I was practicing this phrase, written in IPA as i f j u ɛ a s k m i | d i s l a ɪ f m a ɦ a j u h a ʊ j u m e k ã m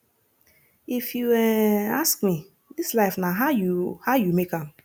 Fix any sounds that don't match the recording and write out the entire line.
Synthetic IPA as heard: i f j u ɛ a s k m i | d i s l a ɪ f n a ɦ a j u h a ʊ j u m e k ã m